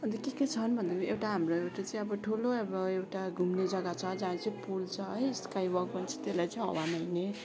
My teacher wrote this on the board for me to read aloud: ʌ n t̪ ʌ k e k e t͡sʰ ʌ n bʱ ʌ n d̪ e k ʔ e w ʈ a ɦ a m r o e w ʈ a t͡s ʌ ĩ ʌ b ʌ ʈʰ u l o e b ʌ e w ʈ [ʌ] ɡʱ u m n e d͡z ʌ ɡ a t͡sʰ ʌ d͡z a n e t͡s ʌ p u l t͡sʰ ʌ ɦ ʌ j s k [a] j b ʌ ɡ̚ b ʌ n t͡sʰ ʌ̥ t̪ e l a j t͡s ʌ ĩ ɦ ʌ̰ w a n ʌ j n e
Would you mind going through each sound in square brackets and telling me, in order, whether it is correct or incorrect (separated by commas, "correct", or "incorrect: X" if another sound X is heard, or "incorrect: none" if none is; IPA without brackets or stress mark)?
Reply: incorrect: a, correct